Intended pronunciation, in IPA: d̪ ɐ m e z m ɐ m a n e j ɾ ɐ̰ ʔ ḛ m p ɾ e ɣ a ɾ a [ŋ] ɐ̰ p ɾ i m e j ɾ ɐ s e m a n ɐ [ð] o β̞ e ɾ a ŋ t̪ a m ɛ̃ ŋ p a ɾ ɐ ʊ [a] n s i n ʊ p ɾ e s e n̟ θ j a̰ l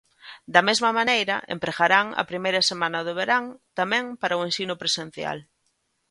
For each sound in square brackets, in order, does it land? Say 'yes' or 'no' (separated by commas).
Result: yes, yes, no